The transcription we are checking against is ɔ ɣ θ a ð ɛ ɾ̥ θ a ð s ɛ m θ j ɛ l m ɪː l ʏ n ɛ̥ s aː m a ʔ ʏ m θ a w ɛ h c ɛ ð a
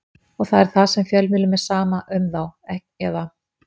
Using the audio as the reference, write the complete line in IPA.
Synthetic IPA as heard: ɔ ɣ θ a ð ɛ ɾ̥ θ a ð s ɛ m f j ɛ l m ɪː l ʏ m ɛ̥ s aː m a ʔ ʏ m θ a w ɛ h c ɛ ð a